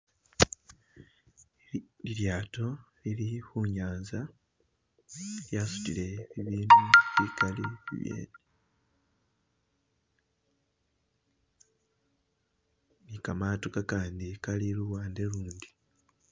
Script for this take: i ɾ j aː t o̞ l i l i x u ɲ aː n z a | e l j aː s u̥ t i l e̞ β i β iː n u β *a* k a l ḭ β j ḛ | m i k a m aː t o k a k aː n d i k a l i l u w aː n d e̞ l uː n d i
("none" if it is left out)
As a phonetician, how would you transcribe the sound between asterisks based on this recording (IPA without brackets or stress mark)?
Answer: i